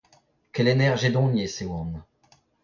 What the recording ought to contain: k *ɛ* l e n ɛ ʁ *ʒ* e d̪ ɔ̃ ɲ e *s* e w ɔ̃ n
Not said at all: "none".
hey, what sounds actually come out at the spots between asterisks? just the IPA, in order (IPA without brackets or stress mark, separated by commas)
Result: ɛ, ʒ, s